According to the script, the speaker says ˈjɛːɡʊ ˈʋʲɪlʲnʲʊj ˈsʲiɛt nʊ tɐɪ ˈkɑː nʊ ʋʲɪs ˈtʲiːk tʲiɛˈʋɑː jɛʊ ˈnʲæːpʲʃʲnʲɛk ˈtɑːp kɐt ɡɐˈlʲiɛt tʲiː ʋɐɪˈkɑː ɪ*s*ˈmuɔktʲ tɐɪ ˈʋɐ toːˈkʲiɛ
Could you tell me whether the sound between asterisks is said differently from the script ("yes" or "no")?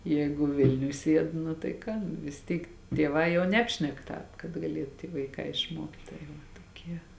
yes